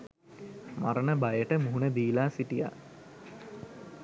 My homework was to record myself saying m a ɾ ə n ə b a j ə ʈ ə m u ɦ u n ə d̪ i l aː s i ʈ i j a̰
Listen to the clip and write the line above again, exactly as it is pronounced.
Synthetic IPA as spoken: m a ɾ ə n ə b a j ə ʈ ə m u ɦ u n ə d̪ iː l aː s i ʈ i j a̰

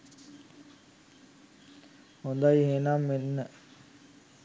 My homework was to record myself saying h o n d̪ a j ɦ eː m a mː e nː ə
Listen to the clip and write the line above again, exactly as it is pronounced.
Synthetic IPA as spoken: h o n d̪ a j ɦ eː n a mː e nː ə

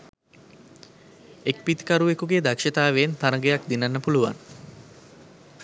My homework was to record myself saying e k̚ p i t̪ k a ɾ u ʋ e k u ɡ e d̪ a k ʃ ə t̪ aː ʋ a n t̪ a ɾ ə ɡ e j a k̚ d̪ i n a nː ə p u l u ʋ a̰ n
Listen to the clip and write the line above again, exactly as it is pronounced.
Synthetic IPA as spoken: e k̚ p i t̪ k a ɾ u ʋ e k u ɡ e d̪ a k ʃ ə t̪ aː ʋ e n t̪ a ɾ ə ɡ e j a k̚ d̪ i n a nː ə p u l u ʋ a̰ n

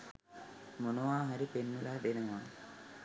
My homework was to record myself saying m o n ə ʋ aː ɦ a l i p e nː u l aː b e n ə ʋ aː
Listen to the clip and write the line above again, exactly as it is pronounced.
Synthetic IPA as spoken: m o n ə ʋ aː ɦ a ɾ i p e nː u l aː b e n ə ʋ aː

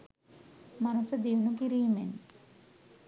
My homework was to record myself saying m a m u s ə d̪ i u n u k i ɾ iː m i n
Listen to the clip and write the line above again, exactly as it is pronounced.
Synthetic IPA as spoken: m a n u s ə d̪ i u n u k i ɾ iː m e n

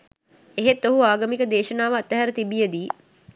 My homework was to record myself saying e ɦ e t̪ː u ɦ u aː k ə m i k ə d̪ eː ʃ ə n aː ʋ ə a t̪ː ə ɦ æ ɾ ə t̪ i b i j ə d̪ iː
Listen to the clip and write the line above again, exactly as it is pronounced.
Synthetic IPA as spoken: e ɦ e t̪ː o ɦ u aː ɡ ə m i k ə d̪ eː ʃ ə n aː ʋ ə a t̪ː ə ɦ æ ɾ ə t̪ i b i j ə d̪ iː

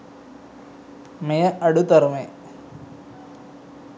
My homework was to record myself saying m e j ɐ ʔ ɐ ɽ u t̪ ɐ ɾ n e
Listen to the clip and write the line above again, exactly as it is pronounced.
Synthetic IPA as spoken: m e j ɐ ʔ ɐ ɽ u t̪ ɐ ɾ m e

